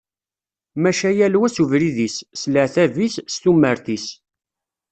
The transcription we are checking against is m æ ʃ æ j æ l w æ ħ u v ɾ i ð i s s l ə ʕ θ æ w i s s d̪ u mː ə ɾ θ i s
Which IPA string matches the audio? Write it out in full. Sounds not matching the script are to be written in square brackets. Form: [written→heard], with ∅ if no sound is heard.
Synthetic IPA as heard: m æ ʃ æ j æ l w æ [ħ→s] u v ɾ i ð i s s l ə ʕ θ æ [w→v] i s s [d̪→t̪] u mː ə ɾ θ i s